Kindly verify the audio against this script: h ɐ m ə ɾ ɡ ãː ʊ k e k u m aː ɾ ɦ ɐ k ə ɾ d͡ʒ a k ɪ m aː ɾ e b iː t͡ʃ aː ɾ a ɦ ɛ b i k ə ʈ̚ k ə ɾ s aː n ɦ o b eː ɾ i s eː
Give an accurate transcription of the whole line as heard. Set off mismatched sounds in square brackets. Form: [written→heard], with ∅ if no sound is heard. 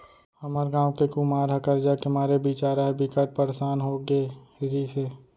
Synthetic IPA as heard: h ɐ m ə ɾ ɡ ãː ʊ k e k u m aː ɾ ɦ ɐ k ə ɾ d͡ʒ a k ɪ m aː ɾ e b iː t͡ʃ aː ɾ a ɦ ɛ b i k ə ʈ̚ [k→p] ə ɾ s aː n ɦ o [b→ɡ] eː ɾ i s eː

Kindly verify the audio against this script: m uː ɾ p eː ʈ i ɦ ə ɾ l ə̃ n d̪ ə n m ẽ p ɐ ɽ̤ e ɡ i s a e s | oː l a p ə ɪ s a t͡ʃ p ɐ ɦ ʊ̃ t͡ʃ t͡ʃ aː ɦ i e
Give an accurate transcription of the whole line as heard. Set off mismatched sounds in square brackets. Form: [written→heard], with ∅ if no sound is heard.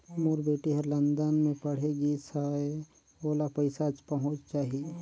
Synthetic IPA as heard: m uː ɾ [p→b] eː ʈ i ɦ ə ɾ l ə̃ n d̪ ə n m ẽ p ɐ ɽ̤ e ɡ i s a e [s→∅] | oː l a p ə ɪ s a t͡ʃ p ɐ ɦ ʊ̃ t͡ʃ t͡ʃ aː ɦ i e

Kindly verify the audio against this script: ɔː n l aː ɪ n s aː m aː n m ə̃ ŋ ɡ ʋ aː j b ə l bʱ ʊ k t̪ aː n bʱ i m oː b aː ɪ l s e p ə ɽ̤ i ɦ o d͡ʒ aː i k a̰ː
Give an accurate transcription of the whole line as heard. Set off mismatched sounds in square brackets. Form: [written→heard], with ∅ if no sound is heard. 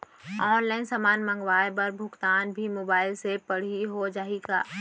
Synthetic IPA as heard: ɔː n l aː ɪ n s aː m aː n m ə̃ ŋ ɡ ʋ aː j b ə [l→ɾ] bʱ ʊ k t̪ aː n bʱ i m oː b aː ɪ l s e p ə ɽ̤ i ɦ o d͡ʒ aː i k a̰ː

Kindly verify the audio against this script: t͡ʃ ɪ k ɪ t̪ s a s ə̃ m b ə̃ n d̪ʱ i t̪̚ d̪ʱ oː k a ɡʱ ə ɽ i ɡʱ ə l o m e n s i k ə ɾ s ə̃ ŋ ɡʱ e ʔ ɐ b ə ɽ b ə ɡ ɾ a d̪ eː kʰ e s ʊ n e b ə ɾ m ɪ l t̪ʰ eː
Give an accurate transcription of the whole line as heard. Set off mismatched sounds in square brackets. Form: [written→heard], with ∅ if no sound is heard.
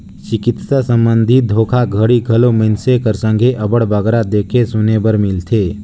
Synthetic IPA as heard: t͡ʃ ɪ k ɪ t̪ s a s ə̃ m b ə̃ n d̪ʱ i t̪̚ d̪ʱ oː [k→kʰ] a ɡʱ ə ɽ i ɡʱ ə l o m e n s [i→e] k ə ɾ s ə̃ ŋ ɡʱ e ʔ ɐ b ə ɽ b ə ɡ ɾ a d̪ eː kʰ e s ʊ n e b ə ɾ m ɪ l t̪ʰ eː

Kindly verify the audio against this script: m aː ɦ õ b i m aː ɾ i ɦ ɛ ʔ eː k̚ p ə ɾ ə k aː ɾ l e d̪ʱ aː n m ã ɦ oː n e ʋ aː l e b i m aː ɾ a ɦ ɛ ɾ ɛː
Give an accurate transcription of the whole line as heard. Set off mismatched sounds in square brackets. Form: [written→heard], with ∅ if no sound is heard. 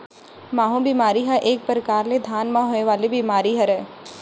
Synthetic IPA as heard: m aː ɦ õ b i m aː ɾ i ɦ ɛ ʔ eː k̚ p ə ɾ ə k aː ɾ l e d̪ʱ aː n m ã ɦ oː n e ʋ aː l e b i m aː ɾ [a→i] ɦ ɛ ɾ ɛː

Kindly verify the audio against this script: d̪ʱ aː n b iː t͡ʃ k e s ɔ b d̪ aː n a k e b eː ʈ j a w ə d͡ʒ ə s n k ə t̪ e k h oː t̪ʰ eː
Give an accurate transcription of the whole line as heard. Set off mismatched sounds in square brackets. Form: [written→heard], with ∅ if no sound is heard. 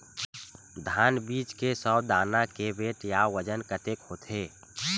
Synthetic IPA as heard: d̪ʱ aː n b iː t͡ʃ k e s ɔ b d̪ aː n a k e b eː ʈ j a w ə d͡ʒ ə [s→∅] n k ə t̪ e k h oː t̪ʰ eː

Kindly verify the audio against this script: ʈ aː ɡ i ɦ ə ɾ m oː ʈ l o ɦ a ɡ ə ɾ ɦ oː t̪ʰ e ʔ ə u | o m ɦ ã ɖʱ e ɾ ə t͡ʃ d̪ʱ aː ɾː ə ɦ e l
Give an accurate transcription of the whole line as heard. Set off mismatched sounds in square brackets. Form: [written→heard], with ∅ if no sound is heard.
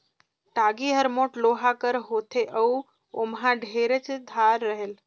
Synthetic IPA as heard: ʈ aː ɡ i ɦ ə ɾ m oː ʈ l o ɦ a [ɡ→k] ə ɾ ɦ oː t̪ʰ e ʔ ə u | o m ɦ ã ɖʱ e ɾ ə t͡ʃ d̪ʱ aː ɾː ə ɦ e l

